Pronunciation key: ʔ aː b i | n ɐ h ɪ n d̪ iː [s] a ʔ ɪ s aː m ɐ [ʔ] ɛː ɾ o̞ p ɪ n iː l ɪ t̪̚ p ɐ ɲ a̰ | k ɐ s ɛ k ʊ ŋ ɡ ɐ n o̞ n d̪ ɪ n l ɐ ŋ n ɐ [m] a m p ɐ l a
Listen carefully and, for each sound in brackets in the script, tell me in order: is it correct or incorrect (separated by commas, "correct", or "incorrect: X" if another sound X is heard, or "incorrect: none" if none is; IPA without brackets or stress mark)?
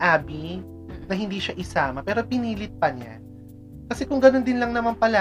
incorrect: ʃ, incorrect: p, correct